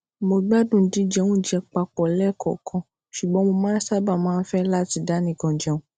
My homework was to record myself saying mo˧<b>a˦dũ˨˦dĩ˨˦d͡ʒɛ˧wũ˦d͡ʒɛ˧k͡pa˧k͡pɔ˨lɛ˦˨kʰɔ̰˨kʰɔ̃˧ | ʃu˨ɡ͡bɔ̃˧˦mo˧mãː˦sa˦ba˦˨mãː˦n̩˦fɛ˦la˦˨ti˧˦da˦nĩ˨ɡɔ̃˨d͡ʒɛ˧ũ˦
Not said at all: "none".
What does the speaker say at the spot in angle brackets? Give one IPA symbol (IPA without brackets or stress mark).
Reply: ɡ͡b